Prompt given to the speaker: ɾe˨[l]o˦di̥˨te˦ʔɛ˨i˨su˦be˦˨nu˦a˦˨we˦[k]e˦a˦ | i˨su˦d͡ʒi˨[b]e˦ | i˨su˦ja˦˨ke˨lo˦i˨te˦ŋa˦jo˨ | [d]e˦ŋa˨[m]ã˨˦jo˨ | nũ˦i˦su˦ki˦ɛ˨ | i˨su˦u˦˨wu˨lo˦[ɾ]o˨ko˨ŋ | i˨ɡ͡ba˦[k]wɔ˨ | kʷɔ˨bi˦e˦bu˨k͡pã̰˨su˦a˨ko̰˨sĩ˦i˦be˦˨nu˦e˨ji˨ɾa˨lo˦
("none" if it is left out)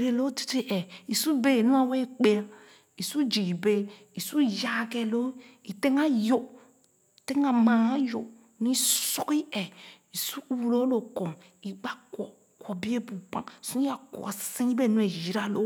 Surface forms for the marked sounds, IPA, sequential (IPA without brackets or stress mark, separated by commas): l, k͡p, b, t, m, l, k